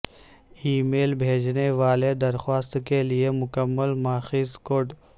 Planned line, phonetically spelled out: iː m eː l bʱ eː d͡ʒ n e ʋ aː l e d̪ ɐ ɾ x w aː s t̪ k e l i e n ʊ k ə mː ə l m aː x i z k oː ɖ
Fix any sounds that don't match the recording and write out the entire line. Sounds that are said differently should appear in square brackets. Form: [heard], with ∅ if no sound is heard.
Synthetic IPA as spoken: iː m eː l bʱ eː d͡ʒ n e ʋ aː l e d̪ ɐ ɾ x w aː s t̪ k e l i e [m] ʊ k ə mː ə l m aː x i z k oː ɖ